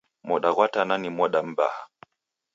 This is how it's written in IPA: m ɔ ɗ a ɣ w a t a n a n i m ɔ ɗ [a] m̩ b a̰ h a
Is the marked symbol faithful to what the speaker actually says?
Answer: yes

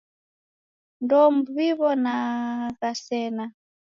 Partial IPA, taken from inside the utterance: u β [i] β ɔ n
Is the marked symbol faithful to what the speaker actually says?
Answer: yes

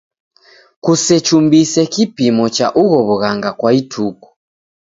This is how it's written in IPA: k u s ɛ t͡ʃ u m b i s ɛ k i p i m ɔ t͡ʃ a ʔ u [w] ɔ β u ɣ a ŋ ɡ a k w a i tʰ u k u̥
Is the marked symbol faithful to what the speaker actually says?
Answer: no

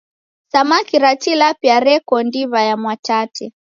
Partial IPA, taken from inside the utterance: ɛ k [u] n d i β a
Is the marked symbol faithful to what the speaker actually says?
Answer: no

